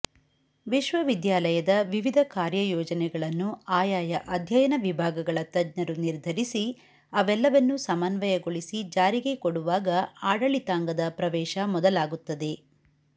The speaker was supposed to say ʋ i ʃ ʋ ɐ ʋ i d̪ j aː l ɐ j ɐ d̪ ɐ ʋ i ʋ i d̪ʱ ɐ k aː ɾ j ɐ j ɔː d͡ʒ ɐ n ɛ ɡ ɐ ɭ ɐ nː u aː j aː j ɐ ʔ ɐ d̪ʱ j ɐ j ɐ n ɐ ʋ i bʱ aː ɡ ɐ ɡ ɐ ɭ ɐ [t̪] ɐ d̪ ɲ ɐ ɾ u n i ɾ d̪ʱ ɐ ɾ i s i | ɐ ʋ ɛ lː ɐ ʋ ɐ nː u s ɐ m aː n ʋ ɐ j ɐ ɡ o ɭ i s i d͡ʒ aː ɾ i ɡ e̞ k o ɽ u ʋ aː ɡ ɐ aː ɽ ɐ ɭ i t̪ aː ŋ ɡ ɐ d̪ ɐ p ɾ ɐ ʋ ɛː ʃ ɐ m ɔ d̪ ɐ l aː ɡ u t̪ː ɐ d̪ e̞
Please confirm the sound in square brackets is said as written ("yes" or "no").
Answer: yes